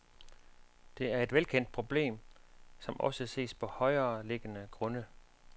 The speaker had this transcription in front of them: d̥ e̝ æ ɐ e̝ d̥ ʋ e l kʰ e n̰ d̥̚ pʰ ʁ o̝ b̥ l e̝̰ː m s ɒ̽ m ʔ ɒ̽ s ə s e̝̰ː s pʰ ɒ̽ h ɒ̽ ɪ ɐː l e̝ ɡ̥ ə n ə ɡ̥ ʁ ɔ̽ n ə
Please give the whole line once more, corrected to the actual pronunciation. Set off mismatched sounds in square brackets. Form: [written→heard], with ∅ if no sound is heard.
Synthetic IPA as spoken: d̥ e̝ æ ɐ e̝ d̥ ʋ e l kʰ e n̰ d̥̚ pʰ ʁ o̝ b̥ l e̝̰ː m s ɒ̽ m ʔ ɒ̽ s ə s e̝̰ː s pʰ ɒ̽ h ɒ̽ ɪ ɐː l e̝ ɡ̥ ə n ə ɡ̥ ʁ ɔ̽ n ə